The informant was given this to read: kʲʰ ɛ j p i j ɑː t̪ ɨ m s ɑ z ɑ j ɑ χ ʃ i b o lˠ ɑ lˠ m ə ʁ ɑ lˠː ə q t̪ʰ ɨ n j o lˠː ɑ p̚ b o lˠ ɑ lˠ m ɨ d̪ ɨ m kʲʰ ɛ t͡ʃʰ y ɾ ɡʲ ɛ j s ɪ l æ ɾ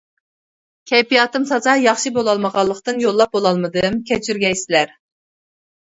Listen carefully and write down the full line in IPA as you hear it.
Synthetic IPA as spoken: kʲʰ ɛ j p i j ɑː t̪ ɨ m s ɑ z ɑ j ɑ χ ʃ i b o lˠ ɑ lˠ m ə ʁ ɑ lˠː ə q t̪ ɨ n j o lˠː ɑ p̚ b o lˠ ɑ lˠ m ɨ d̪ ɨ m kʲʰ ɛ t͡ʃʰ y ɾ ɡʲ ɛ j s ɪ l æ ɾ